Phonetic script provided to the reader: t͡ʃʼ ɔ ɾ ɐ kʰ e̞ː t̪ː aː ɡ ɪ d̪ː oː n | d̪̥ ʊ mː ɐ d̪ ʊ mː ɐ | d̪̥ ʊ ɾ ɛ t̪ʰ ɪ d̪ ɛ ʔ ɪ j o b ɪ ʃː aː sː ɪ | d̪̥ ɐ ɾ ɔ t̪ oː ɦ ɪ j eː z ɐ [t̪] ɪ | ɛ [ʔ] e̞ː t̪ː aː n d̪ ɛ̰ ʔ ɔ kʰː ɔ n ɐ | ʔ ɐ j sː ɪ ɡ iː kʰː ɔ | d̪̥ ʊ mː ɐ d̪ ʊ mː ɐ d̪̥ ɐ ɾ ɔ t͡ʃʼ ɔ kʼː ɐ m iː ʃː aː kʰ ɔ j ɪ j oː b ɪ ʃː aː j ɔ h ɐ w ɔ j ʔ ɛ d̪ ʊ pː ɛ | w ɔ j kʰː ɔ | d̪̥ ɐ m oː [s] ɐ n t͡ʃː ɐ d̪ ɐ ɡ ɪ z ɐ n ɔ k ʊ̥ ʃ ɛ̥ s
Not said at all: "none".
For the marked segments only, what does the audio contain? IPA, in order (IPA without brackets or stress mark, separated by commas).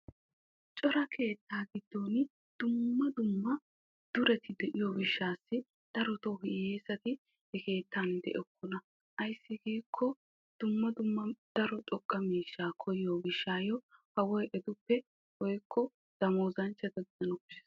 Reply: t̪, k, z